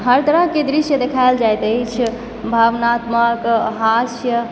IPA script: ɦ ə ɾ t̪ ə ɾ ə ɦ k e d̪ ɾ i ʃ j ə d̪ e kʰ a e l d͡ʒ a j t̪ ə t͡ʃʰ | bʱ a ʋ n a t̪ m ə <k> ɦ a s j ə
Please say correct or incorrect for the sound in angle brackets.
correct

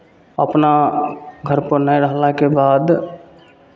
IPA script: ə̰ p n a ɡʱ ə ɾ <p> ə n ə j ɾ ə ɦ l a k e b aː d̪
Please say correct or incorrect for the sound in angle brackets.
correct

